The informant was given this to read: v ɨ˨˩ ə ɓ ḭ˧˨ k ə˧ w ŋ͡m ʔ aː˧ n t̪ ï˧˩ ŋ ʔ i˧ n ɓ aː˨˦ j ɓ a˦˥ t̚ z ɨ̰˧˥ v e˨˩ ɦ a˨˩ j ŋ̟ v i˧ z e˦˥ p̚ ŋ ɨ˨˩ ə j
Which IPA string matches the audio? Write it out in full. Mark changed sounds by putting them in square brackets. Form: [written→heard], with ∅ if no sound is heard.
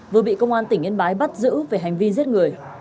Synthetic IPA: v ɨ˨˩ ə ɓ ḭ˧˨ k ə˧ w ŋ͡m ʔ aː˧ n t̪ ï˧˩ ŋ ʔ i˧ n ɓ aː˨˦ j ɓ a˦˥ t̚ z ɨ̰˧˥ v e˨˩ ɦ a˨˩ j ŋ̟ v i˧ z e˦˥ [p̚→t̚] ŋ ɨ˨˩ ə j